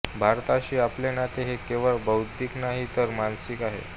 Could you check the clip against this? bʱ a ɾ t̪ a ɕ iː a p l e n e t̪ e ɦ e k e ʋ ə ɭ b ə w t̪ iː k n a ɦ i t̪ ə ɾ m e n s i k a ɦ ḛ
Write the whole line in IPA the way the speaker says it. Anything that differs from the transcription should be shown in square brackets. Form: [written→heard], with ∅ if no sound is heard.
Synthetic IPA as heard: bʱ a ɾ t̪ a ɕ iː a p l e n [e→a] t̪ e ɦ e k e ʋ ə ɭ b ə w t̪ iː k n a ɦ i t̪ ə ɾ m [e→a] n s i k a ɦ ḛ